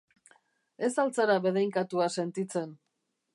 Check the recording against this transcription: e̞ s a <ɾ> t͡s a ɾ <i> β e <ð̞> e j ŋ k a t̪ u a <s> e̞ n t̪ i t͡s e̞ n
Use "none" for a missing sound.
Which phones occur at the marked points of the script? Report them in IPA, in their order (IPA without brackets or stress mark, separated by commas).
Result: l, a, ð̞, s